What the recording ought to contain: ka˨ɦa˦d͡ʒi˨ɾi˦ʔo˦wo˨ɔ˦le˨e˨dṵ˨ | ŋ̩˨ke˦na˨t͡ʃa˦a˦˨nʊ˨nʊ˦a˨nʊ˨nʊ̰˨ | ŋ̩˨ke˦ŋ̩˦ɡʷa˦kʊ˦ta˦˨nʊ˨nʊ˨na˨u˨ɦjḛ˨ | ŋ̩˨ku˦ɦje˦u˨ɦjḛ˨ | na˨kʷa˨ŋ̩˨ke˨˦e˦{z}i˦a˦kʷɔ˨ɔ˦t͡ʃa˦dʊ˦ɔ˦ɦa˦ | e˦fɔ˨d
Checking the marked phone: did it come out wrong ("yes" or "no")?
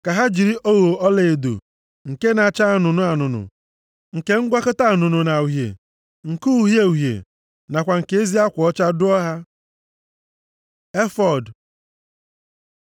no